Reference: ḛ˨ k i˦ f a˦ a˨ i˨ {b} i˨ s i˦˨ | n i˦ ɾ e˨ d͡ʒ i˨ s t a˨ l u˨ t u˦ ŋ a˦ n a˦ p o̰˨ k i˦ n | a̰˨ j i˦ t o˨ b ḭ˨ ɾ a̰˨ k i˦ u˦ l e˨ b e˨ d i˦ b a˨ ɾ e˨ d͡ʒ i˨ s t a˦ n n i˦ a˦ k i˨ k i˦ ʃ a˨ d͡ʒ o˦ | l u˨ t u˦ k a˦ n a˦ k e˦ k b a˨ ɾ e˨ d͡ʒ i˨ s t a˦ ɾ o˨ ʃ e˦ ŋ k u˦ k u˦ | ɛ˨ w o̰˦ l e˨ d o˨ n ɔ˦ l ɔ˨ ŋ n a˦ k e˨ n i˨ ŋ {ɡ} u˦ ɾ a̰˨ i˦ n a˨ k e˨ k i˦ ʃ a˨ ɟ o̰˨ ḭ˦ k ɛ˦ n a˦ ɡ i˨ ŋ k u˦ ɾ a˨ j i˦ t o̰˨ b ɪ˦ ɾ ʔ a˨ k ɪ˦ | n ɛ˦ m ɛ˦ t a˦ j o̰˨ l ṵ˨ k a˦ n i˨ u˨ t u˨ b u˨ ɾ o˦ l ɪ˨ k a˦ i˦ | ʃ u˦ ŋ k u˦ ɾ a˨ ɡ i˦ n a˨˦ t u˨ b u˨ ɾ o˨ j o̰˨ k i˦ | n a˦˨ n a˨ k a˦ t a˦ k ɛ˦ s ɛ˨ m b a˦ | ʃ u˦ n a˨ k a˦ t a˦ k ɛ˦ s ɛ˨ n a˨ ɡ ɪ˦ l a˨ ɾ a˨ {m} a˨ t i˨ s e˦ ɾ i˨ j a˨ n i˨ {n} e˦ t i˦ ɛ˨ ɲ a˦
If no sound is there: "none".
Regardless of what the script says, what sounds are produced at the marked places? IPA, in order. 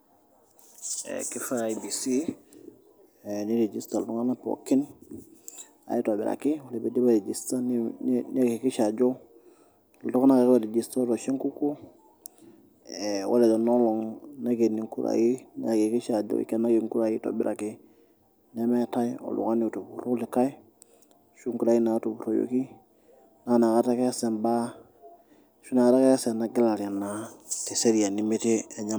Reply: b, k, n, m

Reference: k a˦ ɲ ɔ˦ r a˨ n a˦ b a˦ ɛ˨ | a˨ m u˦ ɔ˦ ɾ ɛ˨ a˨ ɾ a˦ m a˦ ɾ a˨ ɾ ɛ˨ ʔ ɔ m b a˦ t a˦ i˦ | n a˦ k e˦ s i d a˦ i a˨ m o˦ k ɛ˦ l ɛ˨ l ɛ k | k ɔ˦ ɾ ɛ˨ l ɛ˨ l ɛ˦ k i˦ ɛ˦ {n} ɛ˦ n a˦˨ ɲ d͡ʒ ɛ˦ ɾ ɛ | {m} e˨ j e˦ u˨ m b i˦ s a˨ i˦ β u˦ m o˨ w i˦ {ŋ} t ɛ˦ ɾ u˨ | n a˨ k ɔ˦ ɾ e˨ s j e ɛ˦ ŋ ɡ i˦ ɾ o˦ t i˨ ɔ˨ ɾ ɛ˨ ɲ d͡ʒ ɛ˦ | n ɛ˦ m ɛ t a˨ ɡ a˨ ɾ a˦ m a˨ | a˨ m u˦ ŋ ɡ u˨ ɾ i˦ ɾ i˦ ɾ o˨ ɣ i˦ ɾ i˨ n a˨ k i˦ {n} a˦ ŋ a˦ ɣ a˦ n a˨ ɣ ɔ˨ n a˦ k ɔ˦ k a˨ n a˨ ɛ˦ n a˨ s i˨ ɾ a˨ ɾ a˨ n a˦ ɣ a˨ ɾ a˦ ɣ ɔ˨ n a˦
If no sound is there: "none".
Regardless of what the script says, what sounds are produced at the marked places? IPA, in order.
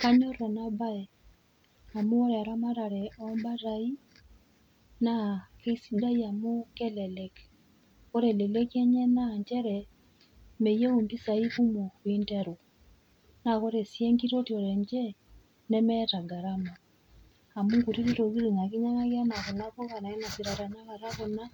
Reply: ɲ, m, n, ɲ

